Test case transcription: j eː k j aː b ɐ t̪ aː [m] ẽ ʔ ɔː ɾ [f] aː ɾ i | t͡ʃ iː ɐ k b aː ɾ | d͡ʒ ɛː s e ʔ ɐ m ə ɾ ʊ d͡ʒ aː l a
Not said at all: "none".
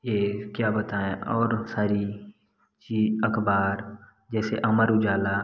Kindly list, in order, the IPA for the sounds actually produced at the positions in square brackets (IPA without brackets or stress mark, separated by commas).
none, s